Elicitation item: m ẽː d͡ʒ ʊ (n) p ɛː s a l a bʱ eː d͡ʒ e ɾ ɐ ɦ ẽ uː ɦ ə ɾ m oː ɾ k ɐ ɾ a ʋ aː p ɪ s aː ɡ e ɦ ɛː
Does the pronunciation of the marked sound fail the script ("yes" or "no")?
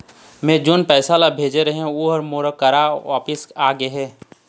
no